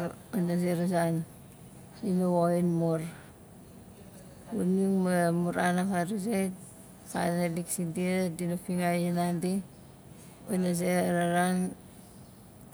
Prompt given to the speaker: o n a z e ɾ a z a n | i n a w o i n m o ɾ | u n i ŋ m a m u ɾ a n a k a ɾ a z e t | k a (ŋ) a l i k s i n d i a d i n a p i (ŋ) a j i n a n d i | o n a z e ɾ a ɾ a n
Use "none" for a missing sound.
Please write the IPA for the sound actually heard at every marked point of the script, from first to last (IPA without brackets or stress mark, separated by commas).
n, ŋ